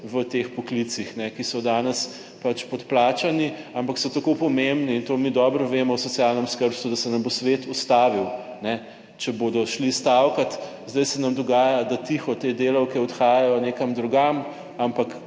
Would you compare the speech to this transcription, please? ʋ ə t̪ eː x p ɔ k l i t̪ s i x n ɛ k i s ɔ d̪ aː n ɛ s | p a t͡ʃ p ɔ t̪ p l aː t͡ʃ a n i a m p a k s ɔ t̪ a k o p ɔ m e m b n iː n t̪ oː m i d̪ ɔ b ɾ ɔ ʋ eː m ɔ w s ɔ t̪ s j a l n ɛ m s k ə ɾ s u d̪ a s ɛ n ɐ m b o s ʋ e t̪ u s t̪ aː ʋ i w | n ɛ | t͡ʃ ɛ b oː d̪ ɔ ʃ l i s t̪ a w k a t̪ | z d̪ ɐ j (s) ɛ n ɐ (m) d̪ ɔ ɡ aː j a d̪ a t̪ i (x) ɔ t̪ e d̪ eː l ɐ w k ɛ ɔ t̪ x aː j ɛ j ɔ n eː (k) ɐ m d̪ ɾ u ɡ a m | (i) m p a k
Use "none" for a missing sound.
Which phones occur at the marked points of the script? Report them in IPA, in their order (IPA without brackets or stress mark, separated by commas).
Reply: s, m, x, k, a